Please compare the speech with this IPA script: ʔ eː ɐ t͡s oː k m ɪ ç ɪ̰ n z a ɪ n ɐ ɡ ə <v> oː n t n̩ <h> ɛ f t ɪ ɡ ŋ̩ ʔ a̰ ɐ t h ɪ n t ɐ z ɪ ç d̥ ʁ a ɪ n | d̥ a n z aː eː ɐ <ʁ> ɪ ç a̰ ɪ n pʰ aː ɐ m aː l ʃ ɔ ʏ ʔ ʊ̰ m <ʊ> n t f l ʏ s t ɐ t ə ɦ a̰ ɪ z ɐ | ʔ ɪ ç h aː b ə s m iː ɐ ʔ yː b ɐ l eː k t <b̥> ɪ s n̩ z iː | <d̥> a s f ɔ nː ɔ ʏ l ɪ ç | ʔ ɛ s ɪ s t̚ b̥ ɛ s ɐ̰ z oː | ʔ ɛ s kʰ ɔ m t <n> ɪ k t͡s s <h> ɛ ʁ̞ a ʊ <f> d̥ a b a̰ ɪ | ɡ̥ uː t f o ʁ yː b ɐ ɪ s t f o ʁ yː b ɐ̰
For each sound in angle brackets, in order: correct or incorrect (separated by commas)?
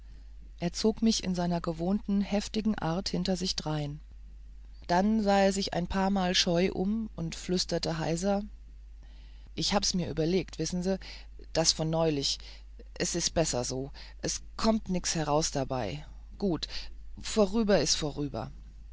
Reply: correct, correct, incorrect, correct, incorrect, correct, correct, correct, incorrect